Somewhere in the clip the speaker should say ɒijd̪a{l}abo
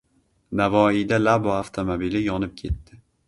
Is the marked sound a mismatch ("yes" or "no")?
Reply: no